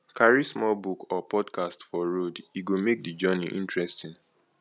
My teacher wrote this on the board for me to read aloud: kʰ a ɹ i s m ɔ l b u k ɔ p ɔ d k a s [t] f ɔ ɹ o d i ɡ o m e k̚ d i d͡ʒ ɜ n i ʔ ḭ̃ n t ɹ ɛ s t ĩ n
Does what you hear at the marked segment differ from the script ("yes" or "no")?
no